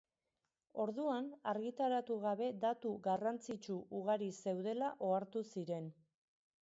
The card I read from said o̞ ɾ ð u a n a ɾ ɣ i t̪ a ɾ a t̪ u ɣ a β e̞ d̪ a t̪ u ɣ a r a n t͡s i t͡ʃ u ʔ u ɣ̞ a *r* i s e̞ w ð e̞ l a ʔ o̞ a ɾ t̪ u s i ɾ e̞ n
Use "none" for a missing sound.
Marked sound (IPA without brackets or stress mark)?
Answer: ɾ